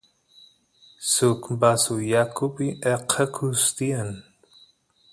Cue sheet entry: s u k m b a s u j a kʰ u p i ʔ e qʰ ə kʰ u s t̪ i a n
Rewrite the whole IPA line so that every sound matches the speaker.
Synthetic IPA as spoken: s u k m b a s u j a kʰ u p i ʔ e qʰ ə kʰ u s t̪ i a n